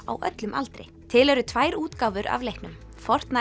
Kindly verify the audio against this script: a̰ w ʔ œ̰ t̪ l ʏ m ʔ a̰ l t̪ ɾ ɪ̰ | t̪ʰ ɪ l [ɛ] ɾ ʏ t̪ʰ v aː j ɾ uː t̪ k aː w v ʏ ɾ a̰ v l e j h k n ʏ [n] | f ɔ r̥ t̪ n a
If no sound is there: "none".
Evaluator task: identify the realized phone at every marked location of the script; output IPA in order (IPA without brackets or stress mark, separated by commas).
ɛ, m